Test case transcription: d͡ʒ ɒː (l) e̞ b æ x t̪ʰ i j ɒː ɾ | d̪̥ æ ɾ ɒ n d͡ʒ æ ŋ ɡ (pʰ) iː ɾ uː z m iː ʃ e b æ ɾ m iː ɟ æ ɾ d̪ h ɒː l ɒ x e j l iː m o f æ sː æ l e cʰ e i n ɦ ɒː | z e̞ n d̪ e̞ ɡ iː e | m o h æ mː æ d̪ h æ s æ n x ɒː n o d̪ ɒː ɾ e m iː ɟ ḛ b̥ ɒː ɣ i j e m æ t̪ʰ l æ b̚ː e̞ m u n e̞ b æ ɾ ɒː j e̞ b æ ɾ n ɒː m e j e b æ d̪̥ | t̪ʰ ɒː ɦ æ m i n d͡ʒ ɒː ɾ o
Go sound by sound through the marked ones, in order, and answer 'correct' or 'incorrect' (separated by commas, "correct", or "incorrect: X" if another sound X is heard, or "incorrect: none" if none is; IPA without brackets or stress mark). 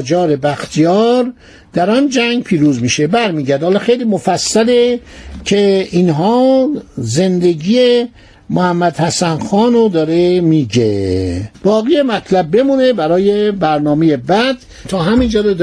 incorrect: ɾ, correct